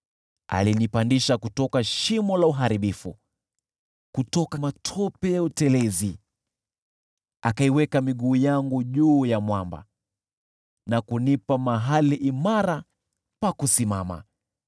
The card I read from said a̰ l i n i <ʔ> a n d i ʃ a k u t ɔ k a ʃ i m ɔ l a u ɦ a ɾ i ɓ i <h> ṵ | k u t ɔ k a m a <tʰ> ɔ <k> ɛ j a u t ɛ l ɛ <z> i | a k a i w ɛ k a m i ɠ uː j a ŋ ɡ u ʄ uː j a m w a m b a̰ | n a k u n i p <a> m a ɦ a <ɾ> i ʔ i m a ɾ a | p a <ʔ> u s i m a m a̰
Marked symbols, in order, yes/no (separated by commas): no, no, yes, no, yes, yes, no, no